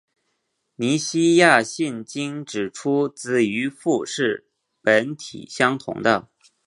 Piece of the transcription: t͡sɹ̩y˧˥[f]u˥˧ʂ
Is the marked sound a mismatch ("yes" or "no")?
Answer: no